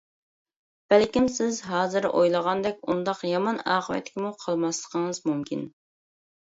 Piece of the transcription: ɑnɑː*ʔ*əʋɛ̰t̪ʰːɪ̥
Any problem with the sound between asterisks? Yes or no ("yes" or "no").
yes